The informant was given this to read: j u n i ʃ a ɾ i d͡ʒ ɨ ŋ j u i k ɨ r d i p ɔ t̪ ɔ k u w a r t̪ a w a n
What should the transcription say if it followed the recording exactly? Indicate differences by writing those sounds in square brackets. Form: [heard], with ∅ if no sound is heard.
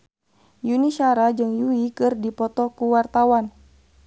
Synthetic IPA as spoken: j u n i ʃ a ɾ [a] d͡ʒ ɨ ŋ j u i k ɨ r d i p ɔ t̪ ɔ k u w a r t̪ a w a n